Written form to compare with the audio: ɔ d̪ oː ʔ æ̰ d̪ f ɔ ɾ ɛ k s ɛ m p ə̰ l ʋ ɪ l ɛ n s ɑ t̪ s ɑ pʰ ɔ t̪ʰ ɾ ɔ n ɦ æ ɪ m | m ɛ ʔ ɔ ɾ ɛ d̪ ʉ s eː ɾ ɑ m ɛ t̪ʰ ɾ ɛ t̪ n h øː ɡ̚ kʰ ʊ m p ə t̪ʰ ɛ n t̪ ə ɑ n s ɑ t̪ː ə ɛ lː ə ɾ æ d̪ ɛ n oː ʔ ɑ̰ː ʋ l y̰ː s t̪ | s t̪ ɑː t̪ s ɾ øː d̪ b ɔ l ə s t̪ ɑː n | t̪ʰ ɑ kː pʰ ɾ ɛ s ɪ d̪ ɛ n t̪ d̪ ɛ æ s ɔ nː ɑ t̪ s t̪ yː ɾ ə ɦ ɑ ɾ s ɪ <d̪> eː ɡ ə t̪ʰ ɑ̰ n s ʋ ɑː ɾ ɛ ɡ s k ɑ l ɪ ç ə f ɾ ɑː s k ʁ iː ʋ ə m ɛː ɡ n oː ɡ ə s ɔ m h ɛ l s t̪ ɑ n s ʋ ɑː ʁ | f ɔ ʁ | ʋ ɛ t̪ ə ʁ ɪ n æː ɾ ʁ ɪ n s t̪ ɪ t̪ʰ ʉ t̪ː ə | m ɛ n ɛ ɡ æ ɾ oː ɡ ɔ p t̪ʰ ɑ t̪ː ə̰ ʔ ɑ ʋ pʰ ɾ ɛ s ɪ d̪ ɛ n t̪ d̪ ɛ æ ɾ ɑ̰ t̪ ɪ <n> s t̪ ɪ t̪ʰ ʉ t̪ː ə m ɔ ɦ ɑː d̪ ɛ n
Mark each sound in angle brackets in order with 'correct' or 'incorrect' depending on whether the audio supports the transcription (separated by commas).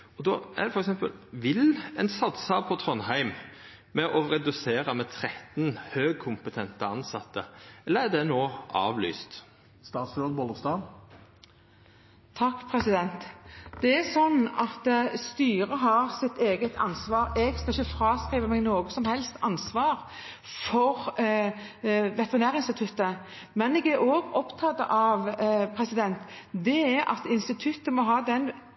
incorrect, correct